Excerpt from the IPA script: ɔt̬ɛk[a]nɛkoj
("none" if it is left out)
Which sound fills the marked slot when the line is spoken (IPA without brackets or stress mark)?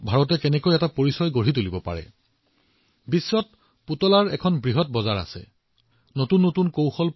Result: ɛ